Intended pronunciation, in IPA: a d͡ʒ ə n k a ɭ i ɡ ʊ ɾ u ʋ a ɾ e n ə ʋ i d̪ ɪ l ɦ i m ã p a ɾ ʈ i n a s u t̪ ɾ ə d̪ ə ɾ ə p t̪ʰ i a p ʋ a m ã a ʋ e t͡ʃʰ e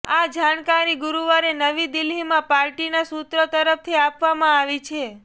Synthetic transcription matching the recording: a d͡ʒ a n k a ɾ i ɡ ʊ ɾ u ʋ a ɾ e n ə ʋ i d̪ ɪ l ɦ i m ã p a ɾ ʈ i n a s u t̪ ɾ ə t̪ ə ɾ ə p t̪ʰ i a p ʋ a m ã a ʋ i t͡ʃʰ e